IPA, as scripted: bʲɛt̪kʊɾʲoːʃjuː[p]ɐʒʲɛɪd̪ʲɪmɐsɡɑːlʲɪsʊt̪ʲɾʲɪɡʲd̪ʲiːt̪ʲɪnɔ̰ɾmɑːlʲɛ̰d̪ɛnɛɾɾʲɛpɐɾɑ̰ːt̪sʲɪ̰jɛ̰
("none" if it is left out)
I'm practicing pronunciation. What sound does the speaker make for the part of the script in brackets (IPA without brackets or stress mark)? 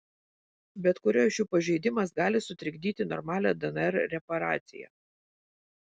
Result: p